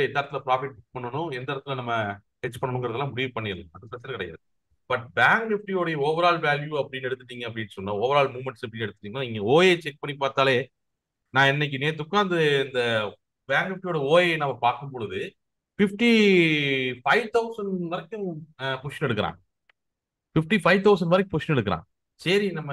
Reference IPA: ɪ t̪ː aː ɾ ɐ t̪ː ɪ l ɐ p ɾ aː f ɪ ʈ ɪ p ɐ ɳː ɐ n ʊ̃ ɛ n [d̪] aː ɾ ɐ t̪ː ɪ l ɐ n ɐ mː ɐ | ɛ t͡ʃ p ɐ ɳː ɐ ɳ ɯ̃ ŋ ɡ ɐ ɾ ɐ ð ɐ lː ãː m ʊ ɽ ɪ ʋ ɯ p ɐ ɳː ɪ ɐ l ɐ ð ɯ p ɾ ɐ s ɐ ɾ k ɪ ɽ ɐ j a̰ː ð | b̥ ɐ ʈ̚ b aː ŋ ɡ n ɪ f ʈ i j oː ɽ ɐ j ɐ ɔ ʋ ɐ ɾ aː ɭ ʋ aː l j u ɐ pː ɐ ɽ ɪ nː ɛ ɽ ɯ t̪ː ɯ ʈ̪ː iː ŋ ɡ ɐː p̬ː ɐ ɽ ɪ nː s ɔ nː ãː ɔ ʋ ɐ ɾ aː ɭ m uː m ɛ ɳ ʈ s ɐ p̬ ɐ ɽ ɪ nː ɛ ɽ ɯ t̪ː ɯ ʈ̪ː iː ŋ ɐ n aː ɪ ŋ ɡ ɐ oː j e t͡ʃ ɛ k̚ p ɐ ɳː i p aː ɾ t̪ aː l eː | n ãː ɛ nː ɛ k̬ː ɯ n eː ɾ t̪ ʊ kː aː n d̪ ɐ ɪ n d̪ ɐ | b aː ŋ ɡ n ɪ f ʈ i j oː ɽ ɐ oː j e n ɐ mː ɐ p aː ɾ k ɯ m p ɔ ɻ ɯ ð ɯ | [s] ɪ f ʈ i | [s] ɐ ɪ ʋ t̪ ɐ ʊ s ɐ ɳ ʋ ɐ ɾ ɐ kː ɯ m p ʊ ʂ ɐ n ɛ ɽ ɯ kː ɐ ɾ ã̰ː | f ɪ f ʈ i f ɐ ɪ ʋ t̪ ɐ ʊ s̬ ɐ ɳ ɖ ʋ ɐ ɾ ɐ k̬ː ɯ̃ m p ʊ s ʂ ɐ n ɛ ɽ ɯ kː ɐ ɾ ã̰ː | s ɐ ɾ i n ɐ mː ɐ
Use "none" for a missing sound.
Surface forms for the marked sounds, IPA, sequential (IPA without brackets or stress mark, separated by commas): d̪, f, f